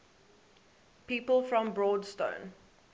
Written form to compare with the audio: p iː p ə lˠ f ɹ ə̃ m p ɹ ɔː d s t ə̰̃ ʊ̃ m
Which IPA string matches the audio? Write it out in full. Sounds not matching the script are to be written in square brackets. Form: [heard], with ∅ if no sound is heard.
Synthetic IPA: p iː p ə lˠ f ɹ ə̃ m [b] ɹ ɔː d s t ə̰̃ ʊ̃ [n]

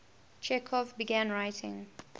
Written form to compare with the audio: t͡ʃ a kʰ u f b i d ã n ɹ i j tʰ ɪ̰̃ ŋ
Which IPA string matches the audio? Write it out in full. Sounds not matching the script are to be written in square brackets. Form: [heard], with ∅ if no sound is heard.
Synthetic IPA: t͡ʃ [ɛ] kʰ [ɔ] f b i [ɡ] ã n ɹ [a] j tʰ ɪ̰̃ ŋ

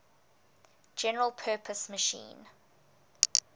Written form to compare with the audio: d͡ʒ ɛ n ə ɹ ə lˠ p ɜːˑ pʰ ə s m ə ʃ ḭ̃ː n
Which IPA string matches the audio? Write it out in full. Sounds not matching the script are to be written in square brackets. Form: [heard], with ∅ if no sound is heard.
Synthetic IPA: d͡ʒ ɛ n ə ɹ ə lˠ [pʰ] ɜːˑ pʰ ə s m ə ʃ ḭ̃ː n

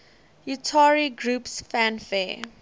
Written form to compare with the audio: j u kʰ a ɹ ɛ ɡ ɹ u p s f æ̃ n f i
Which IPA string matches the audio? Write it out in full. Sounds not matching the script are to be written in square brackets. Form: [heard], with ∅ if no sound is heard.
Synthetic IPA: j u [tʰ] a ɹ [i] ɡ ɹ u p s f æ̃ n f [ɛ]

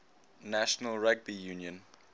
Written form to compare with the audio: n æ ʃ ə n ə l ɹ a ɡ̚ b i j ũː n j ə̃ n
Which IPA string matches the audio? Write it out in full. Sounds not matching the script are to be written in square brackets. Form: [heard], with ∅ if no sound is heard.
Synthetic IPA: n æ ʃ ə n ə l ɹ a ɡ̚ b i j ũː n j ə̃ n

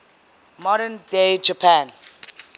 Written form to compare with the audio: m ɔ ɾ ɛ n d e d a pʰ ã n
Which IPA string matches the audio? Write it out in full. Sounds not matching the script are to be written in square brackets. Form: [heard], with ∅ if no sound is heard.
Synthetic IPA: m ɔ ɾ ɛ n d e [d͡ʒ] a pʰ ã n

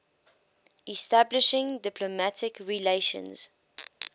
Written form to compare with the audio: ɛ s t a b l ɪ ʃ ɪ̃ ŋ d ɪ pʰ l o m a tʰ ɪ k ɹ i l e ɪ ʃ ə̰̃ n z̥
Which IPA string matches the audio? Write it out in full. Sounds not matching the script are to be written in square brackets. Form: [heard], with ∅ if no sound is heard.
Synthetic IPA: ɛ s t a b l ɪ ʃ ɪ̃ ŋ d ɪ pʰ l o m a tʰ ɪ k ɹ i l e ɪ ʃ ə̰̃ n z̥

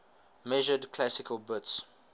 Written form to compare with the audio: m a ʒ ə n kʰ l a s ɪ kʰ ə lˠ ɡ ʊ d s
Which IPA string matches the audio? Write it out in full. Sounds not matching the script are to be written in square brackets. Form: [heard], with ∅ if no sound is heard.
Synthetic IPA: m [ɛ] ʒ ə [d] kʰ l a s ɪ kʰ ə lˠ [b] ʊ [t] s

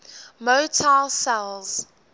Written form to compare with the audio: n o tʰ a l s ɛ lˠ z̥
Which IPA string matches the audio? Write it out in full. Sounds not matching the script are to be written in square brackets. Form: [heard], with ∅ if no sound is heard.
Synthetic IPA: [m] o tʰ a l s ɛ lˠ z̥

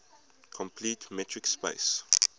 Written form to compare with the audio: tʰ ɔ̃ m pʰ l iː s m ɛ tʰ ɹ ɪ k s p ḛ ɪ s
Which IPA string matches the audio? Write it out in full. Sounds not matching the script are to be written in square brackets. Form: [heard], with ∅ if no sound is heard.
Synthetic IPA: [kʰ] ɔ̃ m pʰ l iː [t] m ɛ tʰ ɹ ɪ k s p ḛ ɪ s

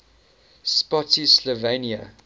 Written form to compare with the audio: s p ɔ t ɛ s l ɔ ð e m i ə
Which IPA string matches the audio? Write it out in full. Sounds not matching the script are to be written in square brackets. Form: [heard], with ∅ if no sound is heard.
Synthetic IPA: s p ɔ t [i] s l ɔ [v] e [n] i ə

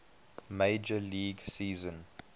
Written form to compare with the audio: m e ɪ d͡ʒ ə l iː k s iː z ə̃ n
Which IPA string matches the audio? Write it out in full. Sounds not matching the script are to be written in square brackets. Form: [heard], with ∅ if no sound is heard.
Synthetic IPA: m e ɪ d͡ʒ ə l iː [ɡ] s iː z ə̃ n

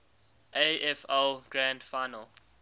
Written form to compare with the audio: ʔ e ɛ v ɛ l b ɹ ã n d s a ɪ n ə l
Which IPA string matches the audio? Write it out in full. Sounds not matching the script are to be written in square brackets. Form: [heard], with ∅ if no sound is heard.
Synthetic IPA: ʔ e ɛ [f] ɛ l [ɡ] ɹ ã n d [f] a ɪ n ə l

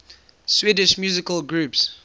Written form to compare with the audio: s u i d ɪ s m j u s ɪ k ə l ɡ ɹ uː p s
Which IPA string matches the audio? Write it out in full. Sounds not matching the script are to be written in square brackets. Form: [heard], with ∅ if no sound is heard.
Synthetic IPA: s [w] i d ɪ [ʃ] m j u [z] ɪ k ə l ɡ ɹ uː p s

